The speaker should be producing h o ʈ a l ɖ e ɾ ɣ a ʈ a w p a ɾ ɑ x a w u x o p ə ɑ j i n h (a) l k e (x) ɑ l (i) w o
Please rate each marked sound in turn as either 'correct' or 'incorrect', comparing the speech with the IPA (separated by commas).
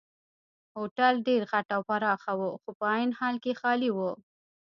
incorrect, correct, correct